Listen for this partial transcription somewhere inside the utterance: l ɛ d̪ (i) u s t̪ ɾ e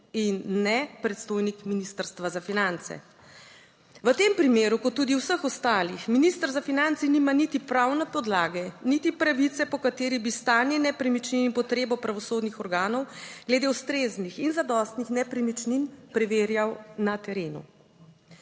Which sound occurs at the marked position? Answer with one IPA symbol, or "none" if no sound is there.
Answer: e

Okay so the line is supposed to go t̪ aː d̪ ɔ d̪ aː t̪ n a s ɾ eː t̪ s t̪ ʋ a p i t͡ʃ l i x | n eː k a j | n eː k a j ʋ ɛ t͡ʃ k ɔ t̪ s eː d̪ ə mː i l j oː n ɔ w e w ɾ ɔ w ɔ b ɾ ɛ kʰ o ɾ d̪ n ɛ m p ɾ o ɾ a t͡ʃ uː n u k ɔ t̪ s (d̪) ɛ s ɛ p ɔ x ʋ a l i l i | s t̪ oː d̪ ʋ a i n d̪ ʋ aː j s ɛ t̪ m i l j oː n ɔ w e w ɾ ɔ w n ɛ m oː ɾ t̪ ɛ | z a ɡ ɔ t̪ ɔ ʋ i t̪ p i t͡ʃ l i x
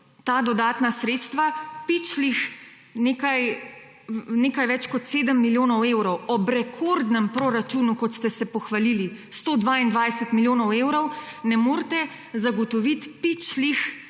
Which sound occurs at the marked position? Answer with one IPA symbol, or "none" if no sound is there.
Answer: t̪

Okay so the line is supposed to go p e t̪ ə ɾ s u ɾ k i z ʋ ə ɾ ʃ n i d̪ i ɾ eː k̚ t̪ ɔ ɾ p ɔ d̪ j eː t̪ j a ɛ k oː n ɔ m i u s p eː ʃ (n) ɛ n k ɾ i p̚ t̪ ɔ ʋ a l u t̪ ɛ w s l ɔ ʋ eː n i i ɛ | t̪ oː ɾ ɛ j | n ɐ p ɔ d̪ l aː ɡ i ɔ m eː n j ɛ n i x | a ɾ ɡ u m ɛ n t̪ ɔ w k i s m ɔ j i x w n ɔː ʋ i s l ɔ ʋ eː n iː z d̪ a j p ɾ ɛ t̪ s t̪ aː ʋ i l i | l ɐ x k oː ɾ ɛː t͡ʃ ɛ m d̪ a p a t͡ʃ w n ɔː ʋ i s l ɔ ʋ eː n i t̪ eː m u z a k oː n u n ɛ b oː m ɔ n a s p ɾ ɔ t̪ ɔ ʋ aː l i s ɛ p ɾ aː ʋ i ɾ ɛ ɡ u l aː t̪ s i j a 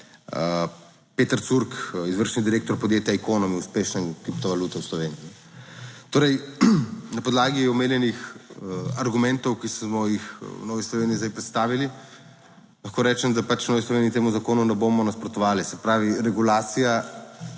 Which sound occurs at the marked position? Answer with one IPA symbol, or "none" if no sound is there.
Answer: n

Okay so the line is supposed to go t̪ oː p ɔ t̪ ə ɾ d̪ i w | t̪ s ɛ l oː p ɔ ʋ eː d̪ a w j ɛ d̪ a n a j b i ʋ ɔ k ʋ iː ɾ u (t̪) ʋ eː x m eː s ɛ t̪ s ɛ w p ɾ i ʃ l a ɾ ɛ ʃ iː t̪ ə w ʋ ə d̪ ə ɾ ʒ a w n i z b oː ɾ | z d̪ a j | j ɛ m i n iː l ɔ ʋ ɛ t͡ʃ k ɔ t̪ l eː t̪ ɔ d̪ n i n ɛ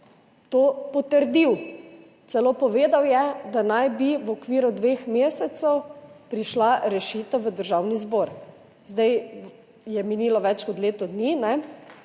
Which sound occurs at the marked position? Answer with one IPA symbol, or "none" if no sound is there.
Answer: d̪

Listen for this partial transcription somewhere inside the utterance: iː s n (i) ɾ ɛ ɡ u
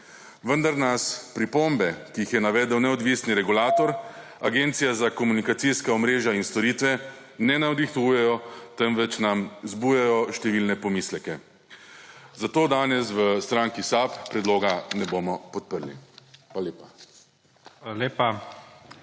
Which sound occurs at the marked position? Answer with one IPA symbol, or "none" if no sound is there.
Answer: i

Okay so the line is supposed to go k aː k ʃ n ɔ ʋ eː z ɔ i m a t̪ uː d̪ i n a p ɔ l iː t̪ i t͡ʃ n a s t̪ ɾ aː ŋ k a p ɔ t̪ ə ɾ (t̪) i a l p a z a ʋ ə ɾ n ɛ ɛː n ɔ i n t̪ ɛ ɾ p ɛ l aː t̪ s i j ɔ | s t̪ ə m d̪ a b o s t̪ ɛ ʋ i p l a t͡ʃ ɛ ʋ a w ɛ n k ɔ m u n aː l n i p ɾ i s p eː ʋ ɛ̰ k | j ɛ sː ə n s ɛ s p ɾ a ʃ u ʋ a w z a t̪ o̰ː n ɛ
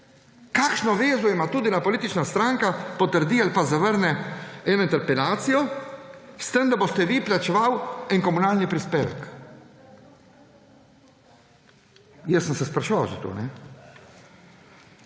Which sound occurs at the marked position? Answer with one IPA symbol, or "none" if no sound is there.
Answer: d̪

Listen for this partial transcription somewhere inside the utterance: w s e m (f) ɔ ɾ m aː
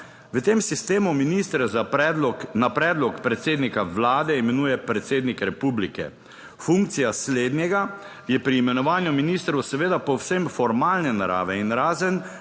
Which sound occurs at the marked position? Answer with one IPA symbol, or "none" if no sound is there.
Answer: f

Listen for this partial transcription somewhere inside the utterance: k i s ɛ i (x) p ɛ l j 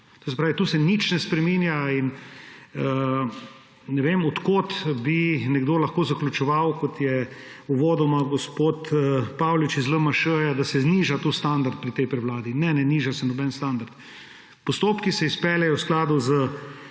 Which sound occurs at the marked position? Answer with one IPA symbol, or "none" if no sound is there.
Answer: s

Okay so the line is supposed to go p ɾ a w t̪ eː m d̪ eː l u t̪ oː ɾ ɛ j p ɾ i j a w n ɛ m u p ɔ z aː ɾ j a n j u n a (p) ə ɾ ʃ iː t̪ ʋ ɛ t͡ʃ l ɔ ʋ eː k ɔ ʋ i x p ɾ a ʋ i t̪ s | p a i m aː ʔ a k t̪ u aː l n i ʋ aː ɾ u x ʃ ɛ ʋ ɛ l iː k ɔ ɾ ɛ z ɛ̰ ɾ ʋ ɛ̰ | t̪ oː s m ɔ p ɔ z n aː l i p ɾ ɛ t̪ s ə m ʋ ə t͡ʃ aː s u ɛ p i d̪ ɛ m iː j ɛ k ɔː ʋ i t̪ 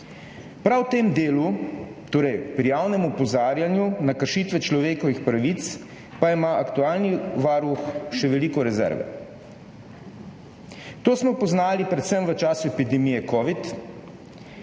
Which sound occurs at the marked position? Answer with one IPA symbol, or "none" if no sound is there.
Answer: k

